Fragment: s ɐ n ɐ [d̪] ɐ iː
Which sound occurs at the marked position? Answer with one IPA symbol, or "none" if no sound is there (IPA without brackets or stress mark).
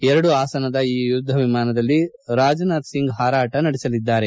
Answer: d̪